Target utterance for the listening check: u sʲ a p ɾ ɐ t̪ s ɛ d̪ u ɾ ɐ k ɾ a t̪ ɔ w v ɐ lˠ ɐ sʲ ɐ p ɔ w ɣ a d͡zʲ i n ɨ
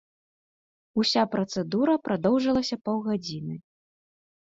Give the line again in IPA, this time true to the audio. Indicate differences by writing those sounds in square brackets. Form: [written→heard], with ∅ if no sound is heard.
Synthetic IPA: u sʲ a p ɾ ɐ t̪ s ɛ d̪ u ɾ ɐ [k→p] ɾ a [t̪→d̪] ɔ w [v→ʐ] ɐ lˠ ɐ sʲ ɐ p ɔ w ɣ a d͡zʲ i n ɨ